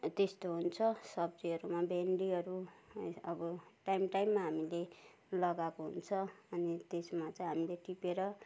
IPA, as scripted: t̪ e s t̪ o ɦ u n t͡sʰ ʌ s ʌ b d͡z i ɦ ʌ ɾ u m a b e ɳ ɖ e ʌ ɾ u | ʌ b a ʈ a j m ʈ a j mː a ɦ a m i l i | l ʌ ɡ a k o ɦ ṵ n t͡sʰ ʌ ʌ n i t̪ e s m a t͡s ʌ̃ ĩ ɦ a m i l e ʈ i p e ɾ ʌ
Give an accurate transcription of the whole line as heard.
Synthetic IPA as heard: t̪ e s t̪ o ɦ u n t͡sʰ ʌ s ʌ b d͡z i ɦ ʌ ɾ u m a b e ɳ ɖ i ʌ ɾ u | ʌ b ʌ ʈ a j m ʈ a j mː a ɦ a m i l e | l ʌ ɡ a k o ɦ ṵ n t͡sʰ ʌ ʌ n i t̪ e s m a t͡s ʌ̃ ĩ ɦ a m i l e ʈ i p e ɾ ʌ

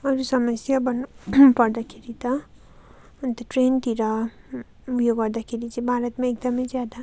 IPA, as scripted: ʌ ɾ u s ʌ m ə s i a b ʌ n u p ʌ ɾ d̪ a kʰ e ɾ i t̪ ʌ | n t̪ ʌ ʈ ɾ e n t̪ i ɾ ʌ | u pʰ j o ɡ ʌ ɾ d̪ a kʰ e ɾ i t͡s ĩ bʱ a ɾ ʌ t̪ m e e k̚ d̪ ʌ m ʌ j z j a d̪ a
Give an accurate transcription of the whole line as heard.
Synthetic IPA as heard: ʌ ɾ u s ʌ m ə s j a b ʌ n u p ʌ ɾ d̪ a kʰ e ɾ i t̪ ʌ | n t̪ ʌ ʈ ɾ e n t̪ i ɾ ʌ | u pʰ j o ɡ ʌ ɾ d̪ a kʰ e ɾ i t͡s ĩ bʱ a ɾ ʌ t̪ m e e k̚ d̪ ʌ m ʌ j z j a d̪ a

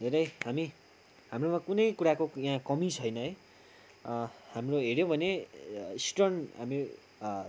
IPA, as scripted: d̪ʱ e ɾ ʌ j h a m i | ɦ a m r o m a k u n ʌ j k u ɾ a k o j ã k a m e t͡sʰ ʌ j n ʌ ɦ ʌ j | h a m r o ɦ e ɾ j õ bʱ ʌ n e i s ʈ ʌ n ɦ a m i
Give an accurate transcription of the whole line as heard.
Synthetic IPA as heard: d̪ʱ e ɾ ʌ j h a m i | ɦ a m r o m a k u n ʌ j k u ɾ a k o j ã k ʌ m i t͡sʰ ʌ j n ʌ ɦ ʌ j | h a m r o ɦ e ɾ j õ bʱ ʌ n e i s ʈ ʌ n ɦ a m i

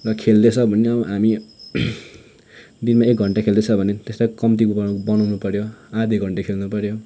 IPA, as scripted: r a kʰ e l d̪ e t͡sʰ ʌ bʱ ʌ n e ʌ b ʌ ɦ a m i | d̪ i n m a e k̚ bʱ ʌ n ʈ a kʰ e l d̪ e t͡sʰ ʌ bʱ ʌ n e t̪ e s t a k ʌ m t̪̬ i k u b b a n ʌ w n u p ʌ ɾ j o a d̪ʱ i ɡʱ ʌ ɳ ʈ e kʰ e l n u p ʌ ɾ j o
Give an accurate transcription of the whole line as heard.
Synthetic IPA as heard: r ʌ kʰ e l d̪ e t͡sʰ ʌ bʱ ʌ n e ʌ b ʌ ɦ a m i | d̪ i n m a e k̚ ɡʱ ʌ ɳ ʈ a kʰ e l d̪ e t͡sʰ ʌ bʱ ʌ n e t̪ e s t a k ʌ m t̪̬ i k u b b ʌ n ʌ w n u p ʌ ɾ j o a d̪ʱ i ɡʱ ʌ ɳ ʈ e kʰ e l n u p ʌ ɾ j o

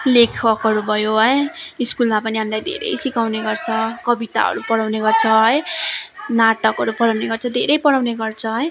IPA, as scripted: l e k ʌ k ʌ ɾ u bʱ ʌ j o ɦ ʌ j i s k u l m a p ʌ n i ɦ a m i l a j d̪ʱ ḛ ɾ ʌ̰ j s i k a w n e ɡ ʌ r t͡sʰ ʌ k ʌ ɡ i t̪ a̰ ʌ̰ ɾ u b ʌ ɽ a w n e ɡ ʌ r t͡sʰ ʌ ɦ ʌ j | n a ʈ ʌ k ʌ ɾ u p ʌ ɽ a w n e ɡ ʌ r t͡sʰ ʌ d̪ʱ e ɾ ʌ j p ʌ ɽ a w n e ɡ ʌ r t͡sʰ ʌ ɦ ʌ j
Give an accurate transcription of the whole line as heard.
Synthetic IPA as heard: l e kʰ ʌ k ʌ ɾ u bʱ ʌ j o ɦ ʌ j i s k u l m a p ʌ n i ɦ a m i l a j d̪ʱ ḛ ɾ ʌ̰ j s i k a w n e ɡ ʌ r t͡sʰ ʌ k ʌ b i t̪ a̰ ʌ̰ ɾ u p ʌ ɽ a w n e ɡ ʌ r t͡sʰ ʌ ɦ ʌ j | n a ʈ ʌ k ʌ ɾ u p ʌ ɽ a w n e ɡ ʌ r t͡sʰ ʌ d̪ʱ e ɾ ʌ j p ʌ ɽ a w n e ɡ ʌ r t͡sʰ ʌ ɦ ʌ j

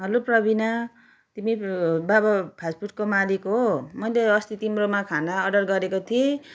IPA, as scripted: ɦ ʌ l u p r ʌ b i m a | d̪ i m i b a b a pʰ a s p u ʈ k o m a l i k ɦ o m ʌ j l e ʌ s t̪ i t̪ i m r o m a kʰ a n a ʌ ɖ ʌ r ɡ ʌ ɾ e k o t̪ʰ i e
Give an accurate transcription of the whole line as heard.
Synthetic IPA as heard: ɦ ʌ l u p r ʌ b i n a | t̪ i m i b a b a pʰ a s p u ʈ k o m a l i k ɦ o m ʌ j l e ʌ s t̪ i t̪ i m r o m a kʰ a n a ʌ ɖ ʌ r ɡ ʌ ɾ e k o t̪ʰ i e

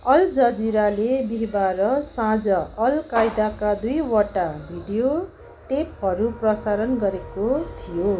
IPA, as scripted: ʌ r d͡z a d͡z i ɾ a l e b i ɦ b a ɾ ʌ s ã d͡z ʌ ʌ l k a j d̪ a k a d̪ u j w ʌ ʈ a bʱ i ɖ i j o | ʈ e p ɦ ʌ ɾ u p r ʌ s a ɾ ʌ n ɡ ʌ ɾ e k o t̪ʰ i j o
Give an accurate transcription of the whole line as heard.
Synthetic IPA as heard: ʌ l d͡z ʌ d͡z i ɾ a l e b i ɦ b a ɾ ʌ s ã d͡z ʌ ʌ l k a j d̪ a k a d̪ u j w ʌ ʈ a bʱ i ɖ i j o | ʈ e p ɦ ʌ ɾ u p r ʌ s a ɾ ʌ n ɡ ʌ ɾ e k o t̪ʰ i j o

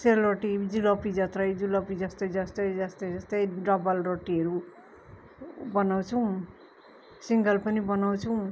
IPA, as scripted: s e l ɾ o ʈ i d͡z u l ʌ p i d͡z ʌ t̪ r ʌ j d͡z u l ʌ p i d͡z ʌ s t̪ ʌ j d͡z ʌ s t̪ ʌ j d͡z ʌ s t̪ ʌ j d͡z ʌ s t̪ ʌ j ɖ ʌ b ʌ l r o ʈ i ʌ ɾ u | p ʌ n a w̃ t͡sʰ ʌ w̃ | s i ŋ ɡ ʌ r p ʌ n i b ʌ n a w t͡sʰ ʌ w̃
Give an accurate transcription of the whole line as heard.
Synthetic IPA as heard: s e l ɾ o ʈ i d͡z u l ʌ p i d͡z ʌ t̪ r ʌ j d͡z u l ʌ p i d͡z ʌ s t̪ ʌ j d͡z ʌ s t̪ ʌ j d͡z ʌ s t̪ ʌ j d͡z ʌ s t̪ ʌ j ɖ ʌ b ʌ l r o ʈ i ʌ ɾ u | b ʌ n a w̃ t͡sʰ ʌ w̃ | s i ŋ ɡ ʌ l p ʌ n i b ʌ n a w t͡sʰ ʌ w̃

